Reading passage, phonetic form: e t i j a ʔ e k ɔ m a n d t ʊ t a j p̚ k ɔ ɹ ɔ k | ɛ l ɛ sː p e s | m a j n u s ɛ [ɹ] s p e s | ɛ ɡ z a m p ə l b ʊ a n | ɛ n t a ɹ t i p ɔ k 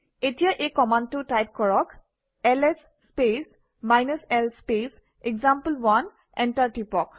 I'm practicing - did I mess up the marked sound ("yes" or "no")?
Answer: yes